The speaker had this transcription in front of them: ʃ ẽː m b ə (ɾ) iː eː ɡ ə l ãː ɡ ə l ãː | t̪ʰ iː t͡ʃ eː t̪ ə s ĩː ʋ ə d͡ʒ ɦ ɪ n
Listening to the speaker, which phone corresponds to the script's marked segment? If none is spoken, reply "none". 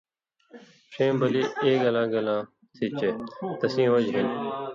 l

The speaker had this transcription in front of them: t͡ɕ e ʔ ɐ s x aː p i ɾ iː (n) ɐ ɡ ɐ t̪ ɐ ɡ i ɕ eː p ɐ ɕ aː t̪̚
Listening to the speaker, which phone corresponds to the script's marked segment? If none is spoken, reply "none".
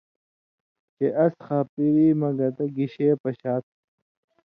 m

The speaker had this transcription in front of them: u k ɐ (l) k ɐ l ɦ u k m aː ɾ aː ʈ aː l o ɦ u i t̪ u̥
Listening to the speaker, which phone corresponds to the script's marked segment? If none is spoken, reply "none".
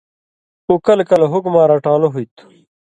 l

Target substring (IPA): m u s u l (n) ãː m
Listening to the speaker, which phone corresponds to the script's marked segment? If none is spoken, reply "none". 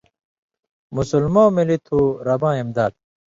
m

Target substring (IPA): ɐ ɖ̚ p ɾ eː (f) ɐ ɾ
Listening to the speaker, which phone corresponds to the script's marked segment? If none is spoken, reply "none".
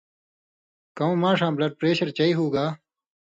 ɕ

